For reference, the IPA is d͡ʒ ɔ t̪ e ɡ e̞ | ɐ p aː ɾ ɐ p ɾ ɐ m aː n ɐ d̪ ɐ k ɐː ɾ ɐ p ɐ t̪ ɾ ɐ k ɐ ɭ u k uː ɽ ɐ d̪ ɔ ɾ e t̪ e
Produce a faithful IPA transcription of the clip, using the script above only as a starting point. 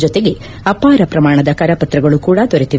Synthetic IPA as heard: d͡ʒ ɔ t̪ e ɡ e̞ | ɐ p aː ɾ ɐ p ɾ ɐ m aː ɳ ɐ d̪ ɐ k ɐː ɾ ɐ p ɐ t̪ ɾ ɐ ɡ ɐ ɭ u k uː ɽ ɐ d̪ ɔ ɾ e t̪ i